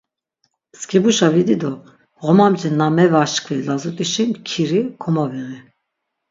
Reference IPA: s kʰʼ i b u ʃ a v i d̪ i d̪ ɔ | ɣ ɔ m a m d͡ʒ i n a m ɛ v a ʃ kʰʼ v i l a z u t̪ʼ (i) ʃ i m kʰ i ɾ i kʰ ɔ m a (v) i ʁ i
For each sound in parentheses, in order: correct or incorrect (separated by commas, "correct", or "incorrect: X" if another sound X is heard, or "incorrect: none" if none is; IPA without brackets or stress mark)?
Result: correct, correct